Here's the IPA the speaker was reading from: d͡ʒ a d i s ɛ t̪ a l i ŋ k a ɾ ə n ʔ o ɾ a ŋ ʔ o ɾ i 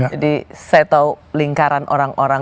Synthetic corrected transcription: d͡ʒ a d i s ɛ t̪ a l i ŋ k a ɾ a n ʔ o ɾ a ŋ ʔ o ɾ a